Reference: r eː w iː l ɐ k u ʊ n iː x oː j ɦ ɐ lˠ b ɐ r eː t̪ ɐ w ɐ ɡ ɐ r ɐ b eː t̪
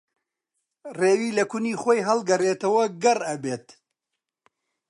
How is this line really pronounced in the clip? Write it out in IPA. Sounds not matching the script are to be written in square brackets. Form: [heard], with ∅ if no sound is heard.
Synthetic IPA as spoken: r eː w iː l ɐ k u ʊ n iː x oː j ɦ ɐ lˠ [ɡ] ɐ r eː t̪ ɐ w ɐ ɡ ɐ r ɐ b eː t̪